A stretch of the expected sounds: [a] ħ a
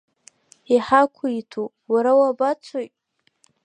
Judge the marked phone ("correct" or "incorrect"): incorrect